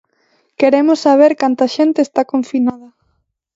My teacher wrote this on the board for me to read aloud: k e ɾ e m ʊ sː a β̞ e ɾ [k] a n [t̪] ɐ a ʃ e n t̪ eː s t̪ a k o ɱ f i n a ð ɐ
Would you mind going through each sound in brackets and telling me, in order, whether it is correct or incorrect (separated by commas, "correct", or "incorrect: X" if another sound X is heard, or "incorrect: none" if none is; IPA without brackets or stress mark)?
correct, correct